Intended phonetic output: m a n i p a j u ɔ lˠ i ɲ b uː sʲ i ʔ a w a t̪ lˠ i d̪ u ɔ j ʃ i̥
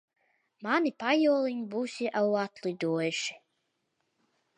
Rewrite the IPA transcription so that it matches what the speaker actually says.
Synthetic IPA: m a n i p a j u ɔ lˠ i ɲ b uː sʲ i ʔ a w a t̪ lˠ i d̪ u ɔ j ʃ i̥